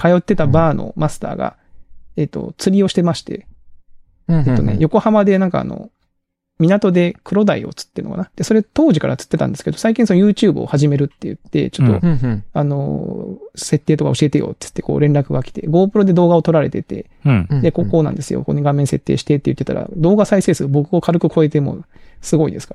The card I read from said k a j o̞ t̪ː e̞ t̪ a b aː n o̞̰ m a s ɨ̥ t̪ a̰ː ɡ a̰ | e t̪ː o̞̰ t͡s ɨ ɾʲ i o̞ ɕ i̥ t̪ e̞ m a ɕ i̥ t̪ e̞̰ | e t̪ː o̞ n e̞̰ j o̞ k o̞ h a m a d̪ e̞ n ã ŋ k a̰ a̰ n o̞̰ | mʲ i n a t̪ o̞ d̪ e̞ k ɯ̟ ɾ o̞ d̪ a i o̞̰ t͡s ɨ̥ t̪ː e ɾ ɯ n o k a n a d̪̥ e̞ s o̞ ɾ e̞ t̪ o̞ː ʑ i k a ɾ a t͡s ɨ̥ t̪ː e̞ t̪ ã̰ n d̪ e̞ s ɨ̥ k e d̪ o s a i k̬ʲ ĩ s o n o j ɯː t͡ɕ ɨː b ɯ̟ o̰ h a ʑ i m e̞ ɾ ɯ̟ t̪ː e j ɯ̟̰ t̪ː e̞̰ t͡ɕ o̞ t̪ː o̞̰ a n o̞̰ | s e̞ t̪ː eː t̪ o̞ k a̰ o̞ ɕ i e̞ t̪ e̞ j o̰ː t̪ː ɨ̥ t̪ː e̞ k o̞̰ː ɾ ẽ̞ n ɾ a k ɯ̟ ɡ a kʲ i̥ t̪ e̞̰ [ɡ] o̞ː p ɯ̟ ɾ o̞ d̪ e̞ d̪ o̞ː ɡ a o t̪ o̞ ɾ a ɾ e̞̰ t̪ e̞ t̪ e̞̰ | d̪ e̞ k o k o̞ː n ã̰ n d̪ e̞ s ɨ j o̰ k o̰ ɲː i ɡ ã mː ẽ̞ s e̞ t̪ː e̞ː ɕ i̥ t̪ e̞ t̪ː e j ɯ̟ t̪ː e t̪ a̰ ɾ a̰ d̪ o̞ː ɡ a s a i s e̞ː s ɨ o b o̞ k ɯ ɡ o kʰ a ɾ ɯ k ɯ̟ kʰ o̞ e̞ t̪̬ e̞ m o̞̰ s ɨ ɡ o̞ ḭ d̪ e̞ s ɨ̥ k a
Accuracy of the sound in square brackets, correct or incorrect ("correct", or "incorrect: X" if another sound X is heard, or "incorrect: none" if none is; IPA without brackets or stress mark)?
correct